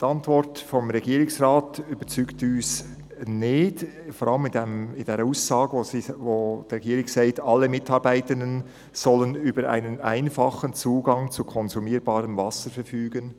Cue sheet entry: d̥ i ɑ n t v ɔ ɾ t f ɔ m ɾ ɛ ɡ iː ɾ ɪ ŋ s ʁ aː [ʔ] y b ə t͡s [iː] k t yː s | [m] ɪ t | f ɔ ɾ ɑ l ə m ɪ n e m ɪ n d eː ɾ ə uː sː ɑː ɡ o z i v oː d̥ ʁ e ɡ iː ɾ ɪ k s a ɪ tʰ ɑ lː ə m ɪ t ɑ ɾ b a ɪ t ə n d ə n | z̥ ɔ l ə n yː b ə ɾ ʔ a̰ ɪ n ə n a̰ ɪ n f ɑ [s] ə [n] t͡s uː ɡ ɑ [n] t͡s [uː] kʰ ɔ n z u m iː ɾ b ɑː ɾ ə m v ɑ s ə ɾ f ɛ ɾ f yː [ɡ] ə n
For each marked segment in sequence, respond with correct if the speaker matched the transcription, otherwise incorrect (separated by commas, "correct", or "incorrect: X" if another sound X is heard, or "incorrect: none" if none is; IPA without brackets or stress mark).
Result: incorrect: t, incorrect: yː, incorrect: n, incorrect: χ, correct, incorrect: ŋ, incorrect: u, correct